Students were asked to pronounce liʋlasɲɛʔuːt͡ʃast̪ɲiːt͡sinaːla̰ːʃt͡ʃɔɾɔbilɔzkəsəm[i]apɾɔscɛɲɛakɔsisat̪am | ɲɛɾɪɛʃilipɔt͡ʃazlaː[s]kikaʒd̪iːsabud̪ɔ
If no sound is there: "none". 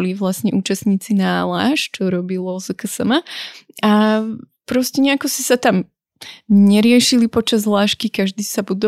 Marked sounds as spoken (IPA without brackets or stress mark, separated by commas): a, ʃ